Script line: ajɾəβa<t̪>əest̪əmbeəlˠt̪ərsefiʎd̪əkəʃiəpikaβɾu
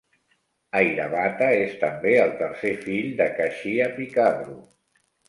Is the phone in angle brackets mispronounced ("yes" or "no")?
no